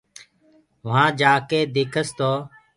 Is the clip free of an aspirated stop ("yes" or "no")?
no